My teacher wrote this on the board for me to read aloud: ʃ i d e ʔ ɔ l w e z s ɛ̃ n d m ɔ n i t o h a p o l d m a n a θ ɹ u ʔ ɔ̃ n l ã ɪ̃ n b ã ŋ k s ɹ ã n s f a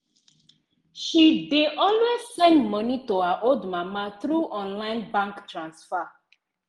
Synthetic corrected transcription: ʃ i d e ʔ ɔ l w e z s ɛ̃ n d m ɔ n i t o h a ʔ o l d m a m a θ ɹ u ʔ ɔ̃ n l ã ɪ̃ n b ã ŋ k t ɹ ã n s f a